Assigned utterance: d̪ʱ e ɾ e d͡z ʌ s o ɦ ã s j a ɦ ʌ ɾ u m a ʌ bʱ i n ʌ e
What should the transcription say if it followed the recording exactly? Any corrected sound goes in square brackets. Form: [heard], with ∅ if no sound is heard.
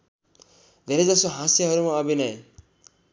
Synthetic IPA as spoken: d̪ʱ e ɾ e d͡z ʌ s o ɦ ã s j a ɦ ʌ ɾ u m a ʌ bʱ i n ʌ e